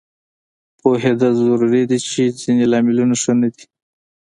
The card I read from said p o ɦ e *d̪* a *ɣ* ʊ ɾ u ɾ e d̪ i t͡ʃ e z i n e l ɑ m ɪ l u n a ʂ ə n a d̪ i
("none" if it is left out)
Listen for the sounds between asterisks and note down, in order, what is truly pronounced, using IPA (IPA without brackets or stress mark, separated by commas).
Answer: d̪, z